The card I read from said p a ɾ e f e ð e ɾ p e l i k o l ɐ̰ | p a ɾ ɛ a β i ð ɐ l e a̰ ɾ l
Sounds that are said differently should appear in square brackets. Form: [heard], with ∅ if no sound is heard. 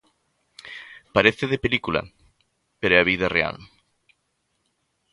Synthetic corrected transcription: p a ɾ e [θ] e ð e [∅] p e l i k [u] l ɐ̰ | p [e] ɾ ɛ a β i ð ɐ [r] e a̰ [∅] l